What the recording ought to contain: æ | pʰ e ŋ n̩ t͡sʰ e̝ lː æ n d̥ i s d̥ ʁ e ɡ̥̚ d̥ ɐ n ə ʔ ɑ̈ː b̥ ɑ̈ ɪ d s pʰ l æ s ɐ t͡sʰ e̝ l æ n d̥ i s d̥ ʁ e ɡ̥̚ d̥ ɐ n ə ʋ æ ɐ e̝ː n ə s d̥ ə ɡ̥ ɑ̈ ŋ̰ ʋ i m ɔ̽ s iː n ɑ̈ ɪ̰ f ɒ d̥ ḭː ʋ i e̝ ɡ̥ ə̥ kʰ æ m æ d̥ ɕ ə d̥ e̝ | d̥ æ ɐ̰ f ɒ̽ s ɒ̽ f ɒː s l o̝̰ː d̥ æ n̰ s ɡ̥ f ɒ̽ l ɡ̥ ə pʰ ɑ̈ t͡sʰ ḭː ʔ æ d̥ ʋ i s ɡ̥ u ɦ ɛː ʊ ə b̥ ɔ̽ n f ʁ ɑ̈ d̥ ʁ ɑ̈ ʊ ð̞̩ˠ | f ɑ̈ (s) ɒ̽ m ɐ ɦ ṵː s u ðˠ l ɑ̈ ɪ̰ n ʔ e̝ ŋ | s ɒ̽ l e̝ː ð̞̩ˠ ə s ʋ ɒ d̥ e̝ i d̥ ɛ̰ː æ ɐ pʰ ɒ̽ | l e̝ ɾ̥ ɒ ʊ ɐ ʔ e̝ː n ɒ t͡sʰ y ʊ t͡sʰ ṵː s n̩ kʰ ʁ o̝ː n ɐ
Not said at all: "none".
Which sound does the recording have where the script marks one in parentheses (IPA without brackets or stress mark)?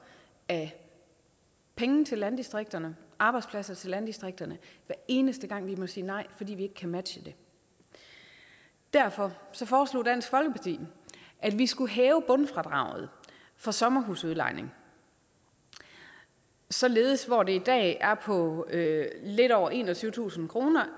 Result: s